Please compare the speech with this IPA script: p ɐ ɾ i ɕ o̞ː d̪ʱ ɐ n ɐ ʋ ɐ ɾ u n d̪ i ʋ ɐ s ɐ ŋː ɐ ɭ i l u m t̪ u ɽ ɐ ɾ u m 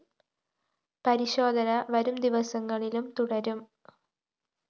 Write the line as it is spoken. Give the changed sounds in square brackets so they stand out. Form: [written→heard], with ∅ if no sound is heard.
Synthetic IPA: p ɐ ɾ i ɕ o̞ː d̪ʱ ɐ n ɐ ʋ ɐ ɾ u [n→m] d̪ i ʋ ɐ s ɐ ŋː ɐ ɭ i l u m t̪ u ɽ ɐ ɾ u m